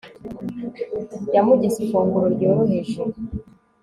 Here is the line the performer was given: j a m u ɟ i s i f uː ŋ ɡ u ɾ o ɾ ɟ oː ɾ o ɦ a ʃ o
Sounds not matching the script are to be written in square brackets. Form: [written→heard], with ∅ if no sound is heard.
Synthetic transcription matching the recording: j a m u ɟ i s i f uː ŋ ɡ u ɾ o ɾ ɟ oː ɾ o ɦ [a→e] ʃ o